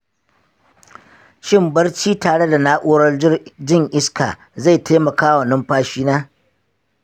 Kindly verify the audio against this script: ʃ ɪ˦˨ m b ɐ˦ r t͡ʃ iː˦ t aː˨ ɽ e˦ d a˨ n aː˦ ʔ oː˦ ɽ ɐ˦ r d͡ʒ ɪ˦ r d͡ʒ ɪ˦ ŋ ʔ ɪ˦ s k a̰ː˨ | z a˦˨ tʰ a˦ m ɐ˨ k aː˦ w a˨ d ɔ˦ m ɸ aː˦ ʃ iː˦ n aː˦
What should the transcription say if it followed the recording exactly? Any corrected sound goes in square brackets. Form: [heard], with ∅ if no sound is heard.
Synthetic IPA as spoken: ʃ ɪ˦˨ m b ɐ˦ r t͡ʃ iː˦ t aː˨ ɽ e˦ d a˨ n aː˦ ʔ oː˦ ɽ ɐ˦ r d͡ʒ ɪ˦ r d͡ʒ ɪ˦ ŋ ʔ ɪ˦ s k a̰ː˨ | z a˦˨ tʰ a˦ m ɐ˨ k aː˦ w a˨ [n] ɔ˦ m ɸ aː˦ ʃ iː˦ n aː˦